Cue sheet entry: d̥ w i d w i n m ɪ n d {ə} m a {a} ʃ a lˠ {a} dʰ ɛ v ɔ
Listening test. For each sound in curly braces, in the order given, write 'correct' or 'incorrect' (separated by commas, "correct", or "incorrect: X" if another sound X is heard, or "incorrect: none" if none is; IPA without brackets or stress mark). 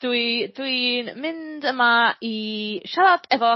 correct, incorrect: i, correct